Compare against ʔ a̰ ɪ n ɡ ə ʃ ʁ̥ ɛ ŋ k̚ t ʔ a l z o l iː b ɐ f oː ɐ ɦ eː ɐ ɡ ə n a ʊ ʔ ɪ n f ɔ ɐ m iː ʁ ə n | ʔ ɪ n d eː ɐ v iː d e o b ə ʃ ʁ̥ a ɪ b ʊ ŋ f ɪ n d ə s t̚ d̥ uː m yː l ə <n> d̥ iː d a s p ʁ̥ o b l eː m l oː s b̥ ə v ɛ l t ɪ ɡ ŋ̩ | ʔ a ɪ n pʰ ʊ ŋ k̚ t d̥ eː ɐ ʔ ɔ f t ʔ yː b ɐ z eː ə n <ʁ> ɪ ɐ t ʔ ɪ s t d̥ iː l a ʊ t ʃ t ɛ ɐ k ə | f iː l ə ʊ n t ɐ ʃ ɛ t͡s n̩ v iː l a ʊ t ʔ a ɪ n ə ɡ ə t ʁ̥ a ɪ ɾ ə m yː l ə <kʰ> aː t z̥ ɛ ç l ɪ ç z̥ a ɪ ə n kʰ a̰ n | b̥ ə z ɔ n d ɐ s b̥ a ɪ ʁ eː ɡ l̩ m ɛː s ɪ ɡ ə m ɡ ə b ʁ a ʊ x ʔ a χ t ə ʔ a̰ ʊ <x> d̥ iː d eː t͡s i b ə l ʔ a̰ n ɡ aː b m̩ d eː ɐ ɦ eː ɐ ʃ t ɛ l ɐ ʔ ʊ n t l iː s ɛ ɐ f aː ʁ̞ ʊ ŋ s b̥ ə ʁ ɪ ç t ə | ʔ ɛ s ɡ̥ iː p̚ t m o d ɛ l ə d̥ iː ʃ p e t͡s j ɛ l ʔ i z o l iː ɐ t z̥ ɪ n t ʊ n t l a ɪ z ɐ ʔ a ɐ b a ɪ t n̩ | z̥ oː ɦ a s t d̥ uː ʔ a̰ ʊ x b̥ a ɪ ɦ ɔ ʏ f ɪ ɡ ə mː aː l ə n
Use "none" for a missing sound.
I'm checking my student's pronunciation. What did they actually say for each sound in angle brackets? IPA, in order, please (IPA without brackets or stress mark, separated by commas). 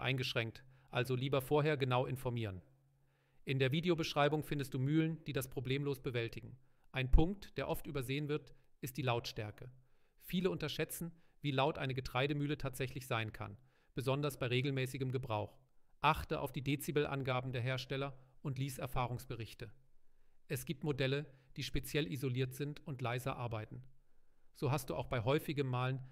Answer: n, v, tʰ, f